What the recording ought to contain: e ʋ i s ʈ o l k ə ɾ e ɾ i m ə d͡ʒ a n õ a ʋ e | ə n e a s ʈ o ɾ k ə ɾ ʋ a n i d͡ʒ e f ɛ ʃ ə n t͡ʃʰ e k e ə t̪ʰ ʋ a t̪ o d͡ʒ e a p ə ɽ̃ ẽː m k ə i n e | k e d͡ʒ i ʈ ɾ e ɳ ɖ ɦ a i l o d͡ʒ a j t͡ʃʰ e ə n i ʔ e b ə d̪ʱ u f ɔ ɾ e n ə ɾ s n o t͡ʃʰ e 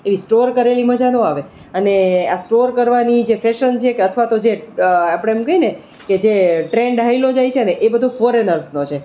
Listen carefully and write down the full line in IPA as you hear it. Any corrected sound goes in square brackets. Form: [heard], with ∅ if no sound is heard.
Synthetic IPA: e ʋ i s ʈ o [ɾ] k ə ɾ e [l] i m ə d͡ʒ a n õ a ʋ e | ə n e a s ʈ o ɾ k ə ɾ ʋ a n i d͡ʒ e f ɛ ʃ ə n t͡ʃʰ e k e ə t̪ʰ ʋ a t̪ o d͡ʒ e a p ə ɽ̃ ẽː m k ə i n e | k e d͡ʒ [e] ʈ ɾ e ɳ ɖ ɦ a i l o d͡ʒ a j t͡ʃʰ e ə n [e] ʔ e b ə d̪ʱ u f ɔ ɾ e n ə ɾ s n o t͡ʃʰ e

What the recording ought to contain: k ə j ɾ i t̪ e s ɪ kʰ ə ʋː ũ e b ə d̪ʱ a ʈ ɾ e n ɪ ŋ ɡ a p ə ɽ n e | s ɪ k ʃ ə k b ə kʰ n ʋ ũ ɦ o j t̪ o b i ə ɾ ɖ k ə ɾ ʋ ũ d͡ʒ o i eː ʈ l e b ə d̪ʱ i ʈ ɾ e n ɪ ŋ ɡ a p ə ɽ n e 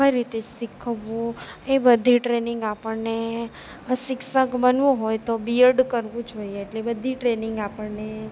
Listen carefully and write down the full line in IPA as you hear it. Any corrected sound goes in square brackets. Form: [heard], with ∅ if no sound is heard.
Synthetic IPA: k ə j ɾ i t̪ e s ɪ kʰ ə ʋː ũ e b ə d̪ʱ [i] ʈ ɾ e n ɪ ŋ ɡ a p ə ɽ n e | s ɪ k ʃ ə k b ə [∅] n ʋ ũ ɦ o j t̪ o b i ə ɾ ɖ k ə ɾ ʋ ũ d͡ʒ o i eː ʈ l e b ə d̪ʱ i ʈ ɾ e n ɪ ŋ ɡ a p ə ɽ n e

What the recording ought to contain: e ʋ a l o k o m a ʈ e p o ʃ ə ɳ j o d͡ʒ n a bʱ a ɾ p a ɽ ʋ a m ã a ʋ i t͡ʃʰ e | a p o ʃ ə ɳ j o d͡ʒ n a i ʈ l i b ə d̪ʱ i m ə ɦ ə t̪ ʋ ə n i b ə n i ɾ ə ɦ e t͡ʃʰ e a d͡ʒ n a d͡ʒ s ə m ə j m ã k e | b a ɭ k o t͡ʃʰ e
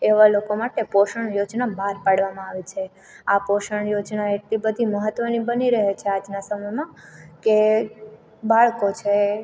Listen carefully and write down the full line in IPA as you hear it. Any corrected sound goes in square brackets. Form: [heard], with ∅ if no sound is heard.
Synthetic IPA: e ʋ a l o k o m a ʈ e p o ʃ ə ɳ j o d͡ʒ n a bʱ a ɾ p a ɽ ʋ a m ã a ʋ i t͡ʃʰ e | a p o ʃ ə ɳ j o d͡ʒ n a [e] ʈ l i b ə d̪ʱ i m ə ɦ ə t̪ ʋ ə n i b ə n i ɾ ə ɦ e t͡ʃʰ e a d͡ʒ n a [∅] s ə m ə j m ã k e | b a ɭ k o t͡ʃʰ e

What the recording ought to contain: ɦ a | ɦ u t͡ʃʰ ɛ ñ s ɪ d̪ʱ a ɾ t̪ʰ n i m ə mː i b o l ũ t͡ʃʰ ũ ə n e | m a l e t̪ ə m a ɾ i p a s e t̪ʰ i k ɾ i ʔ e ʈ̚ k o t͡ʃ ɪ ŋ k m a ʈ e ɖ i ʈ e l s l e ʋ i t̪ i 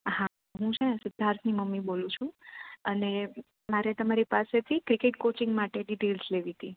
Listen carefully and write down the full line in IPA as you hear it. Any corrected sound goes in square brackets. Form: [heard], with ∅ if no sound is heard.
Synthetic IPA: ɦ a | ɦ [ũ] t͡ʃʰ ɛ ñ s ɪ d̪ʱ a ɾ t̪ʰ n i m ə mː i b o l ũ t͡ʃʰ ũ ə n e | m a [ɾ] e t̪ ə m a ɾ i p a s e t̪ʰ i k ɾ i [k] e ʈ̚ k o t͡ʃ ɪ ŋ [ɡ] m a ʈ e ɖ i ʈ e l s l e ʋ i t̪ i

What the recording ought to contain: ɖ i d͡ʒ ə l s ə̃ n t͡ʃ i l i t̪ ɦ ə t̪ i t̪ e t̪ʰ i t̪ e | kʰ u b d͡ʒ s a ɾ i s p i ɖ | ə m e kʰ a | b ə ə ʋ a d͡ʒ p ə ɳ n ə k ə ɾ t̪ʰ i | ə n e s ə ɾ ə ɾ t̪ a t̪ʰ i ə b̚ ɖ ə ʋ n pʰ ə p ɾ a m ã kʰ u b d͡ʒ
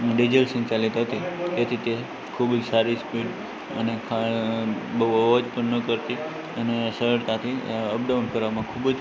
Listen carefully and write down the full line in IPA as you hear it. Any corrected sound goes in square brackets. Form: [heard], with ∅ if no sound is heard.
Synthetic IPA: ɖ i d͡ʒ ə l s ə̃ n t͡ʃ [a] l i t̪ ɦ ə t̪ i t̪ e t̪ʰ i t̪ e | kʰ u b d͡ʒ s a ɾ i s p i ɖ | ə [n] e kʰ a | b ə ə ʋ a d͡ʒ p ə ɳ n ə k ə ɾ [t̪] i | ə n e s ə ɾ ə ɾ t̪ a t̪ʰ i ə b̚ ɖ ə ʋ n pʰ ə [∅] ɾ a m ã kʰ u b d͡ʒ

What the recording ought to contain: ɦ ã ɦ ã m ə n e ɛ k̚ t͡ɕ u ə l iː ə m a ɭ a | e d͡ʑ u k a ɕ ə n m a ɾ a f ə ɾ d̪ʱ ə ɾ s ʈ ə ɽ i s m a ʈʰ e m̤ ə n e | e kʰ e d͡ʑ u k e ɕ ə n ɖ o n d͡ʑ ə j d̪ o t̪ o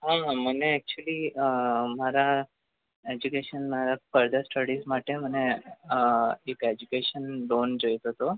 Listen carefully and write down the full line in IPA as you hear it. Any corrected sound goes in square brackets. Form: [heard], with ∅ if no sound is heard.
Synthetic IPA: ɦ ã ɦ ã m ə n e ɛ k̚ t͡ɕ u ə l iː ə m a [ɾ] a | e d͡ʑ u k [e] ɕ ə n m a ɾ a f ə ɾ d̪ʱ ə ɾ s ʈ ə ɽ i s m a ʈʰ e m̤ ə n e | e [k] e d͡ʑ u k e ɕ ə n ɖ o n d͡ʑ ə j [t̪] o t̪ o

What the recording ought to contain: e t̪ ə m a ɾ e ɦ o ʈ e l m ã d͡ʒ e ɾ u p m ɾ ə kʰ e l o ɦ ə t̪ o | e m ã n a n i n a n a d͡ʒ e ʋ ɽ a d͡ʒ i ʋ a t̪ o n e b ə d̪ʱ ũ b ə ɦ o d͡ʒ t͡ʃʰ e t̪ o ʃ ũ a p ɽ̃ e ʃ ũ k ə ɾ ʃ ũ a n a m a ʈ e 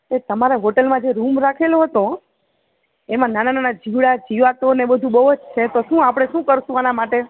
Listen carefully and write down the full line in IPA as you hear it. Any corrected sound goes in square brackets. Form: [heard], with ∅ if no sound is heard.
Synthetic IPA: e t̪ ə m a ɾ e ɦ o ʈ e l m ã d͡ʒ e ɾ u [∅] m ɾ [a] kʰ e l o ɦ ə t̪ o | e m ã n a n [a] n a n a d͡ʒ [i] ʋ ɽ a d͡ʒ i ʋ a t̪ o n e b ə d̪ʱ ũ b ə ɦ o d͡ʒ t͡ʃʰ e t̪ o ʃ ũ a p ɽ̃ e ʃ ũ k ə ɾ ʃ ũ a n a m a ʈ e

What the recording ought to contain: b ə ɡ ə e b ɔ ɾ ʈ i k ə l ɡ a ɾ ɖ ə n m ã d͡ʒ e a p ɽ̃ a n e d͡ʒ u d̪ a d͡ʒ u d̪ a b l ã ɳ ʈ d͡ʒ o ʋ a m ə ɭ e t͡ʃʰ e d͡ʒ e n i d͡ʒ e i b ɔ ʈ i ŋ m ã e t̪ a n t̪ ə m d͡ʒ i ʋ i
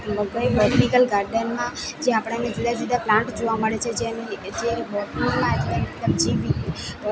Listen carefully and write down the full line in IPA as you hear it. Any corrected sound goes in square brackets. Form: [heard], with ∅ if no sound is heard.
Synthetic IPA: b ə ɡ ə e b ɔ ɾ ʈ i k ə l ɡ a ɾ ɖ ə n m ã d͡ʒ e a p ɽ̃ a n e d͡ʒ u d̪ a d͡ʒ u d̪ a [p] l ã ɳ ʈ d͡ʒ o ʋ a m ə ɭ e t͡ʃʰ e d͡ʒ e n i d͡ʒ e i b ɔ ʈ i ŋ m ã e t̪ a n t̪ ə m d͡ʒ i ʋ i

